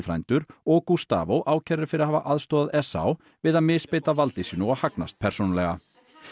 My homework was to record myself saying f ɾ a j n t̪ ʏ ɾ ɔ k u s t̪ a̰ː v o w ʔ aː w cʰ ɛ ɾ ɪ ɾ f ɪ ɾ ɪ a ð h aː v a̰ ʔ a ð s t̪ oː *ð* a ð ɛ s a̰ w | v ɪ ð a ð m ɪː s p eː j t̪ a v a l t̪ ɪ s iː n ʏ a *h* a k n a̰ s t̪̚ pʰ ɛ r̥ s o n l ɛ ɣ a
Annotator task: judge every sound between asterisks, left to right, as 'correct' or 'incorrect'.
correct, correct

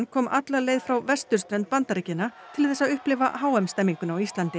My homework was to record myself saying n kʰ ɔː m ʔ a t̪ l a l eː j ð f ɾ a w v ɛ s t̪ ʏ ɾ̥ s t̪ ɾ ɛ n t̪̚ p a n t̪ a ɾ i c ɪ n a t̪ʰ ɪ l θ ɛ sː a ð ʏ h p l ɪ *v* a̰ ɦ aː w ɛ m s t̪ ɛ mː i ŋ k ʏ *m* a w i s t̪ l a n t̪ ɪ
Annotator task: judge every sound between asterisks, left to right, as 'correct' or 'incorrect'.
correct, incorrect: n

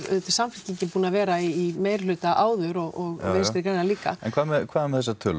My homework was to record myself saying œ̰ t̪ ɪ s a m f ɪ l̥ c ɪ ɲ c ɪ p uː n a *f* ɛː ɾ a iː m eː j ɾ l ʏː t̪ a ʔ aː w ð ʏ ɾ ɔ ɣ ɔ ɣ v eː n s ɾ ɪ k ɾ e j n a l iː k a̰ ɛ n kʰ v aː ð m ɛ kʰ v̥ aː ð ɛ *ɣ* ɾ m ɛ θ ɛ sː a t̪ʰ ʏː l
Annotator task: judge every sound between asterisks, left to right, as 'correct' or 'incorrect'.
incorrect: v, incorrect: none

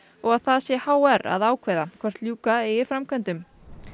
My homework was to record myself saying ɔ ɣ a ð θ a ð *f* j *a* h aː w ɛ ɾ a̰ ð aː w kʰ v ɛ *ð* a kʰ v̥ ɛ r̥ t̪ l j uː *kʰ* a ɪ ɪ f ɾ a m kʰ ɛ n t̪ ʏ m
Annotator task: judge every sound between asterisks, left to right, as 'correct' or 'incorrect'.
incorrect: s, incorrect: ɛ, correct, incorrect: k

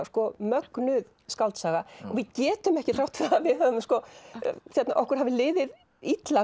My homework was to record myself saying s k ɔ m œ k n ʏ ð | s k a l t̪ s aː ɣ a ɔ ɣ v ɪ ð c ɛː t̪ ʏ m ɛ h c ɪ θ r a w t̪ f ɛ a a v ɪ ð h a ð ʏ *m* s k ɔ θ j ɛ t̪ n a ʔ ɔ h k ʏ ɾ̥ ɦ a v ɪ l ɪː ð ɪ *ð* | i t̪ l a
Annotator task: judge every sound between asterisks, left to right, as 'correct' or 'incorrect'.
correct, correct

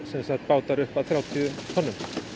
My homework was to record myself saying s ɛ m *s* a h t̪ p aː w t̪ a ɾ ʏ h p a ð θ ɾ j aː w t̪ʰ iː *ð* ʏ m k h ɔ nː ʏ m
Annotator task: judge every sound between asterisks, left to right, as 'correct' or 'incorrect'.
correct, correct

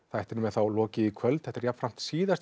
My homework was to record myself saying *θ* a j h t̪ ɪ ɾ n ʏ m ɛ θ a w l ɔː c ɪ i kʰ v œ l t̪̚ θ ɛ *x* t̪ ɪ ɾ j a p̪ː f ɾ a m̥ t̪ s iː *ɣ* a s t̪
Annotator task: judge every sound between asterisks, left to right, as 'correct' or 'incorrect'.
correct, incorrect: h, incorrect: ð

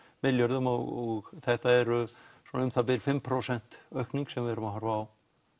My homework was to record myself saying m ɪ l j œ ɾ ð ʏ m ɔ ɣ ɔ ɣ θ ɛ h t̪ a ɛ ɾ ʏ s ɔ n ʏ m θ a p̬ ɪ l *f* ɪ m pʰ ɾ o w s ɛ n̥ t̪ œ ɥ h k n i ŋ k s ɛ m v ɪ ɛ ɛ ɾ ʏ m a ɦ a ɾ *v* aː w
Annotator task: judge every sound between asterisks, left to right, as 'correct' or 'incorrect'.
correct, correct

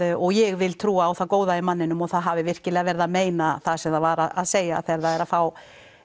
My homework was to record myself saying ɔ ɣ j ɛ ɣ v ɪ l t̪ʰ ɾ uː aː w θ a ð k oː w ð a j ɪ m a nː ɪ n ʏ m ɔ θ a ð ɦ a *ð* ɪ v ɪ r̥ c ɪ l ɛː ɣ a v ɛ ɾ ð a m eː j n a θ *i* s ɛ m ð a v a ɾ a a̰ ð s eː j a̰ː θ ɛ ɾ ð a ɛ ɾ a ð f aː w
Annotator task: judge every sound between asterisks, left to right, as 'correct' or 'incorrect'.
incorrect: v, incorrect: a

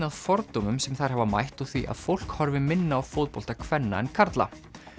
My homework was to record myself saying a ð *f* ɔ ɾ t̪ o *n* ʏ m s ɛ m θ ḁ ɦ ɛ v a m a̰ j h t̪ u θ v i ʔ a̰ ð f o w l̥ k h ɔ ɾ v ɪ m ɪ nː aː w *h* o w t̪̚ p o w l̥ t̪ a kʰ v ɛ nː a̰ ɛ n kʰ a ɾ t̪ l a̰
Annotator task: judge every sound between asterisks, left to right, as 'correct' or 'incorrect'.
correct, incorrect: m, incorrect: f

